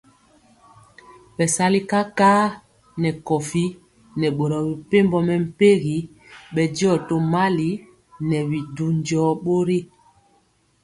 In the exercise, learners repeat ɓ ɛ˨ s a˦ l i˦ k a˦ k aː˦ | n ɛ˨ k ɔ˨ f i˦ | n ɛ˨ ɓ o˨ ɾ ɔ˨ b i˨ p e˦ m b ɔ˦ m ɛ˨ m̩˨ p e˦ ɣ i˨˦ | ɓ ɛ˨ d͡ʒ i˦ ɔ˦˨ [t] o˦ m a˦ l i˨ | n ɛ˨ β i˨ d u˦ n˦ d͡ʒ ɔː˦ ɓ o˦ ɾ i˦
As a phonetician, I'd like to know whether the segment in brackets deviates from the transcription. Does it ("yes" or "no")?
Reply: no